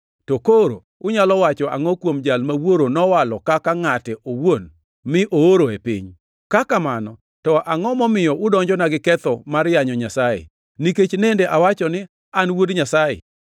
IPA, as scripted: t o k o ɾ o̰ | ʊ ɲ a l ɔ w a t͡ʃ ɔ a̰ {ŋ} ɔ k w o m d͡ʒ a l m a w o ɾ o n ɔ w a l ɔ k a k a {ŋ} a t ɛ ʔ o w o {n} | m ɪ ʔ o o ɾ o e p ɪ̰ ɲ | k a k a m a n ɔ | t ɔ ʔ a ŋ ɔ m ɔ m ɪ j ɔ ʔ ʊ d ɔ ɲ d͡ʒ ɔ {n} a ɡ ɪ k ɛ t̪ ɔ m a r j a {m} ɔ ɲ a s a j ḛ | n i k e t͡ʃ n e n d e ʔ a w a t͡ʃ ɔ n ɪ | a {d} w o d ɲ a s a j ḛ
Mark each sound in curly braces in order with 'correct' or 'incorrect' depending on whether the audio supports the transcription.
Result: correct, correct, correct, correct, incorrect, incorrect

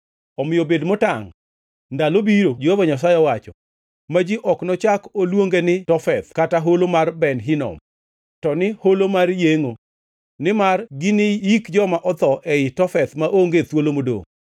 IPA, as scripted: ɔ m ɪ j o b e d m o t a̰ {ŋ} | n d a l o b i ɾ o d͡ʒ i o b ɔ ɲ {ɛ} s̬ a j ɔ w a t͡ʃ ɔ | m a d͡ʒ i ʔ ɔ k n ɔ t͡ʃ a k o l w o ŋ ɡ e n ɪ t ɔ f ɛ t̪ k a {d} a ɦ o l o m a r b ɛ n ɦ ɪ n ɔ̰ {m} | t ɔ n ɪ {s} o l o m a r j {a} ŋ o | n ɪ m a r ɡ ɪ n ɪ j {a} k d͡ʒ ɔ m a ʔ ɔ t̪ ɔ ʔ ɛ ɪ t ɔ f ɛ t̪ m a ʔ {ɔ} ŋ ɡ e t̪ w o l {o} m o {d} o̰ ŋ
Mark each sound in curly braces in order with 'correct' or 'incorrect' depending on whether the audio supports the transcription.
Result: correct, incorrect, incorrect, correct, incorrect, incorrect, incorrect, incorrect, correct, correct

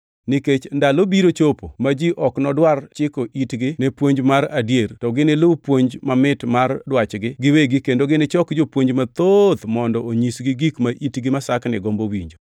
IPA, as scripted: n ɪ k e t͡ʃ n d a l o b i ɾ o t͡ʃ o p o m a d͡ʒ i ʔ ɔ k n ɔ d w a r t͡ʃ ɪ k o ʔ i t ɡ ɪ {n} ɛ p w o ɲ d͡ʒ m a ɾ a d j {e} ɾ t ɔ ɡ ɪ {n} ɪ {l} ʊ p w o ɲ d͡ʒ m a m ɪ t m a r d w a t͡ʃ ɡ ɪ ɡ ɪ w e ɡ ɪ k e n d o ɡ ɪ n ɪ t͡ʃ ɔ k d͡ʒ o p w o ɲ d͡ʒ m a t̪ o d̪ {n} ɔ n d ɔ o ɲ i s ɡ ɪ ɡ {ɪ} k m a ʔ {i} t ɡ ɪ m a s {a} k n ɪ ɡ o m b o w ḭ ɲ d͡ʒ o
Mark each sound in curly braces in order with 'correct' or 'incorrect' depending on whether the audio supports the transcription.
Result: correct, correct, correct, correct, incorrect, incorrect, correct, correct

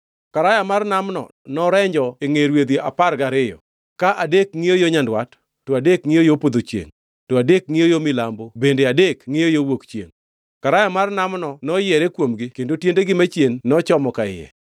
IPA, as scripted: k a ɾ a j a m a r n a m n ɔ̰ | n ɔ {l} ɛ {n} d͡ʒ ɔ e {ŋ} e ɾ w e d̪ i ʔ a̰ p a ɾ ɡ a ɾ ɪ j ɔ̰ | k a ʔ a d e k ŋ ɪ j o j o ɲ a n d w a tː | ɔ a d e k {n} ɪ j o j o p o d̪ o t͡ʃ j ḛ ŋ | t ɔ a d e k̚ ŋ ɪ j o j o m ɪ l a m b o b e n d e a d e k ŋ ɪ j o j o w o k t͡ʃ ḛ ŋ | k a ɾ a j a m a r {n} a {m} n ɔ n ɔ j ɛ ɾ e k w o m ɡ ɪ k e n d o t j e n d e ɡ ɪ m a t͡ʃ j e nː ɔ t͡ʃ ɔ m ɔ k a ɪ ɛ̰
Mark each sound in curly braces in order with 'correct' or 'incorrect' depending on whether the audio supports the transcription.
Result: incorrect, incorrect, correct, incorrect, correct, correct

